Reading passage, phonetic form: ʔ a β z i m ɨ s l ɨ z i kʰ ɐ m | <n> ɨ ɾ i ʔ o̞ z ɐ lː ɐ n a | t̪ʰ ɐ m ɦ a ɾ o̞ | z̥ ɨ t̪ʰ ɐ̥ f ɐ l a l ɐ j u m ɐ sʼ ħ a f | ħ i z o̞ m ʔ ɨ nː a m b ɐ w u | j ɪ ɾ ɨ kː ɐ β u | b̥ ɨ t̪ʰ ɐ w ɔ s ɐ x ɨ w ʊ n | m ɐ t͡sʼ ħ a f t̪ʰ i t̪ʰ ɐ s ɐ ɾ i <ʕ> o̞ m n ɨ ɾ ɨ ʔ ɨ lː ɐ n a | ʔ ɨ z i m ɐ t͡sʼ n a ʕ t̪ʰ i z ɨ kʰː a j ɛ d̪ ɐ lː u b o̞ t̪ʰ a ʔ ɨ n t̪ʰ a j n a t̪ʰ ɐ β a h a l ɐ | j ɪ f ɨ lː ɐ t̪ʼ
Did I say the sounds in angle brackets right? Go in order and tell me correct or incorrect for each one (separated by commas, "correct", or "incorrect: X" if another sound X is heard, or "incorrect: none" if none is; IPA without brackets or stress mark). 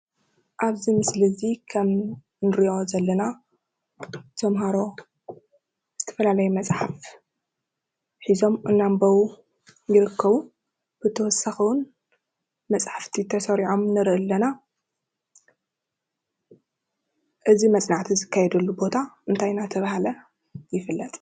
correct, correct